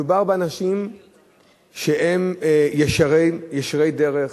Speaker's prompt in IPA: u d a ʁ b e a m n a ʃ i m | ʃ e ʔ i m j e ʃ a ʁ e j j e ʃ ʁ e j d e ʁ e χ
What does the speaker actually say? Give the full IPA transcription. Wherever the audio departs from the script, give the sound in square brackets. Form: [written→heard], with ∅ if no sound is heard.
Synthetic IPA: u [d→b] a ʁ b e a [m→∅] n a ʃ i m | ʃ e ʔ [i→e] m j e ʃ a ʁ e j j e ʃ ʁ e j d e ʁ e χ